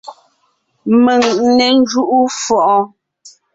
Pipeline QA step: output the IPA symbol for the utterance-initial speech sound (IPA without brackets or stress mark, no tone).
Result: m